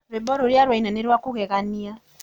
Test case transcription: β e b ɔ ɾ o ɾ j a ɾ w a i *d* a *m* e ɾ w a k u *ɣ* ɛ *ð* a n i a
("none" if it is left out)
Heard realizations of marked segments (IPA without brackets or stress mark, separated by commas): n, n, ɣ, ɣ